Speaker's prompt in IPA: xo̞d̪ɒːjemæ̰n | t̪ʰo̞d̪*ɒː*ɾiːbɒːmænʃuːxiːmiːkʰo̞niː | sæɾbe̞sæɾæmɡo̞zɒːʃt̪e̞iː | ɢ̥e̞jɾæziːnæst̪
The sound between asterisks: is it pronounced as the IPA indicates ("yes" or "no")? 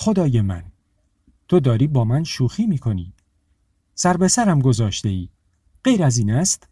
yes